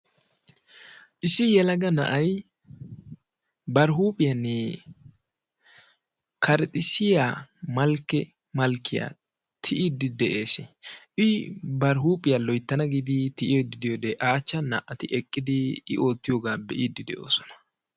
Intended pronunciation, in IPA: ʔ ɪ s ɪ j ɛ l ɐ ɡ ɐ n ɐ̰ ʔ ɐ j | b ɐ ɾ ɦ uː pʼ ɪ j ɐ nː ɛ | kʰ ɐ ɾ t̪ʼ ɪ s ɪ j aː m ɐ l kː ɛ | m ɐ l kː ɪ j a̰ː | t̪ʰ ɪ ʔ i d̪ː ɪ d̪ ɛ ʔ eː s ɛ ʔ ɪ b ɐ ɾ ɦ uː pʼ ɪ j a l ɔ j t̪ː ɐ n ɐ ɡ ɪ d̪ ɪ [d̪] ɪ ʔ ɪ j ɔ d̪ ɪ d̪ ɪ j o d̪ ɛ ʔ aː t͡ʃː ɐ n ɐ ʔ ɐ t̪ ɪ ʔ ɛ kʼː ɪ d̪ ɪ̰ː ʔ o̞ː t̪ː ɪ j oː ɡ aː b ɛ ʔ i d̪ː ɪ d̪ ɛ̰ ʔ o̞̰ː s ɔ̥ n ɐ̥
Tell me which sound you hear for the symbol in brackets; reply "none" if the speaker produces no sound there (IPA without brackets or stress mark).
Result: t̪